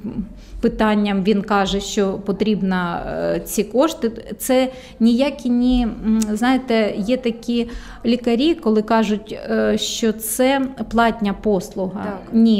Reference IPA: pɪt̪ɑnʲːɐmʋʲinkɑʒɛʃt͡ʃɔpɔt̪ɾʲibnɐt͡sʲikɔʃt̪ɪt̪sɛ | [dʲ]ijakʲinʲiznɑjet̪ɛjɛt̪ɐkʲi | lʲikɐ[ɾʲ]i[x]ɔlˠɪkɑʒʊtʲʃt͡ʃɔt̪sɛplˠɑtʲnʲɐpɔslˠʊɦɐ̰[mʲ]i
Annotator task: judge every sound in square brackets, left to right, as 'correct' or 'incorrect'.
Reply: incorrect: nʲ, correct, incorrect: k, incorrect: nʲ

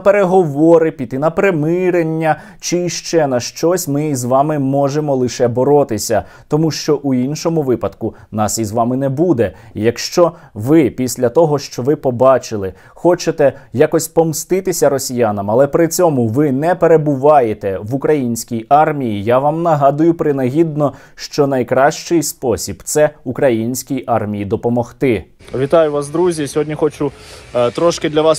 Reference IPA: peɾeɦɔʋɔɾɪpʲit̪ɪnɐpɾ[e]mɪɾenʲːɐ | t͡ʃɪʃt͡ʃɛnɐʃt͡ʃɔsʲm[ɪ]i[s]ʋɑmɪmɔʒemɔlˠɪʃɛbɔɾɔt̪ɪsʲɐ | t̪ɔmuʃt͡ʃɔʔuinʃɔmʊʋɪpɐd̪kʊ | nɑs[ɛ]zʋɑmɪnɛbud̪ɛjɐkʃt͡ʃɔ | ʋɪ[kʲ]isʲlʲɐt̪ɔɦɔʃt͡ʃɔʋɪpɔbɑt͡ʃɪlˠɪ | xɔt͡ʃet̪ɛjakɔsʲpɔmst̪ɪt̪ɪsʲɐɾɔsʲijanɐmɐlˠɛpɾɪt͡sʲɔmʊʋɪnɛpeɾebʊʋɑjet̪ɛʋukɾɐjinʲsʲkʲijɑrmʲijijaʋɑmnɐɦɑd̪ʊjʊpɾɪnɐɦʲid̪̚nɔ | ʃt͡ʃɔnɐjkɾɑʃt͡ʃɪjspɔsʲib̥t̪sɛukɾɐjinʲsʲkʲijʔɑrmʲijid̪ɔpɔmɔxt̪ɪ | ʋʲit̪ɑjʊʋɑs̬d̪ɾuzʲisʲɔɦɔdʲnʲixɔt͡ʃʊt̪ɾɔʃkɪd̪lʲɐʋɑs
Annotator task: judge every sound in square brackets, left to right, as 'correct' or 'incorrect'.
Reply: correct, correct, incorrect: z, incorrect: i, incorrect: pʲ

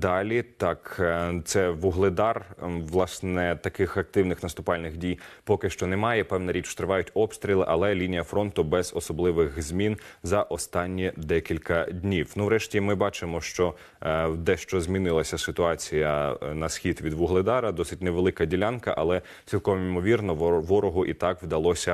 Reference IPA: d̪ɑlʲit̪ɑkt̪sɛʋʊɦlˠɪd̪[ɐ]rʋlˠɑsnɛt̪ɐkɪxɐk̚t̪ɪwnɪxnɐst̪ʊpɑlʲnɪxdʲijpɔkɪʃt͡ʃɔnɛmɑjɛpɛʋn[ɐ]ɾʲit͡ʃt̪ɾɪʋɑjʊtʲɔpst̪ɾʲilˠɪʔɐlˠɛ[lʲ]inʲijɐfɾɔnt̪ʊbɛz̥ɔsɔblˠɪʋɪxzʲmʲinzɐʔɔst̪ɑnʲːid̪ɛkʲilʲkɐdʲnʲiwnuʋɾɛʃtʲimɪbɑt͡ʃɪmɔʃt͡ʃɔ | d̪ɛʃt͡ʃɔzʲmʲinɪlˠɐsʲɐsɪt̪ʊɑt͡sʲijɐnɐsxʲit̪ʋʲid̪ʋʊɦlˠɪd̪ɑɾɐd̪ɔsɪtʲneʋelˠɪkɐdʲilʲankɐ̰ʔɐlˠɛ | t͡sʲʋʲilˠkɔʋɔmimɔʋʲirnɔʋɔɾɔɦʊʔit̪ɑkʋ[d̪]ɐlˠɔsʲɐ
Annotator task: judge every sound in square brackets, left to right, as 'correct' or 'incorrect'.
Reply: incorrect: ɑ, correct, correct, correct

